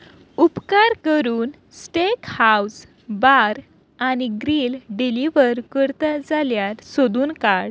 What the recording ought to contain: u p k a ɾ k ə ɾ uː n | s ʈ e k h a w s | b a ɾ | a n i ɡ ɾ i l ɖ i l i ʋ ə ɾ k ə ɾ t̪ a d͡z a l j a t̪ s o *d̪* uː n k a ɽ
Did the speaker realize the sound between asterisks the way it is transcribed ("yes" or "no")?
yes